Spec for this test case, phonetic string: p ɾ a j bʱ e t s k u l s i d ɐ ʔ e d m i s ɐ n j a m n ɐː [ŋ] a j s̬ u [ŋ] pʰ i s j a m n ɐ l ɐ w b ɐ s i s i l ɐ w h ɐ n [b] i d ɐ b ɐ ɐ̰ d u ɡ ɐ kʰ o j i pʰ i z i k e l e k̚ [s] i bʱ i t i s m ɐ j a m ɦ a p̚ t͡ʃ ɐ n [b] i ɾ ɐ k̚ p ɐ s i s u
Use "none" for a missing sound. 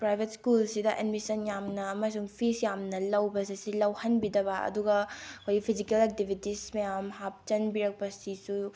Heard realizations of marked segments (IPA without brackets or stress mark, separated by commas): m, ŋ, b, t, b